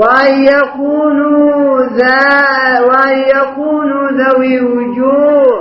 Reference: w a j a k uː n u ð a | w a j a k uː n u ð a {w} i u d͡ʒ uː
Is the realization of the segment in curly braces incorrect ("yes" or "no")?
no